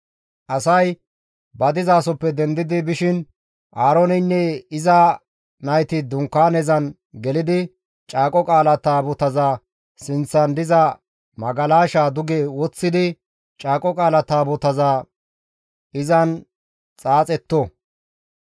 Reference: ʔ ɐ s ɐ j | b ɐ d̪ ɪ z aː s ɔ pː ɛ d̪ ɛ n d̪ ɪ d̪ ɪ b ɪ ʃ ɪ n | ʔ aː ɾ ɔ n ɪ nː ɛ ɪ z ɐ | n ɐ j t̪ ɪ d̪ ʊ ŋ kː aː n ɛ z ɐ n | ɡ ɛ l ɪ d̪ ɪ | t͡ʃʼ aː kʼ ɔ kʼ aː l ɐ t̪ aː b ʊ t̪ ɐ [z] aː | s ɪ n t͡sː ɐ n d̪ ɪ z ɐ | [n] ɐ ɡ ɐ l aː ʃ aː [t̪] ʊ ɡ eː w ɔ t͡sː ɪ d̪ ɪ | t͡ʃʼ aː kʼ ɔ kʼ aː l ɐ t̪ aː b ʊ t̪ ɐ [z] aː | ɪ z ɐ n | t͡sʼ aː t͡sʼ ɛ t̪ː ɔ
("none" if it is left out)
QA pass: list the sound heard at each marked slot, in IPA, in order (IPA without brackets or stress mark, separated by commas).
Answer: z, m, d̪, z